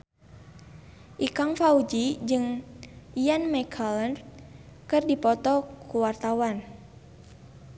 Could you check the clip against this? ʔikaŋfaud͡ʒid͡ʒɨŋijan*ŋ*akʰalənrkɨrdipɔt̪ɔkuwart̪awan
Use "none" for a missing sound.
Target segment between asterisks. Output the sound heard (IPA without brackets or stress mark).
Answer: m